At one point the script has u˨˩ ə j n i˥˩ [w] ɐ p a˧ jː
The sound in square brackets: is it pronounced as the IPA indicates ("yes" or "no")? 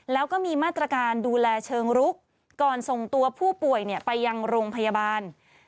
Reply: no